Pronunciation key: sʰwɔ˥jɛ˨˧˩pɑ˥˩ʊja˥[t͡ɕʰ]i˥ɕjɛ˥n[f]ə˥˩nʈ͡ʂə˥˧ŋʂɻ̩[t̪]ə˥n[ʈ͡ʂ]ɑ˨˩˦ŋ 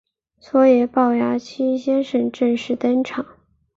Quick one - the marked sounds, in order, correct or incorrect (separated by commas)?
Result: correct, incorrect, correct, incorrect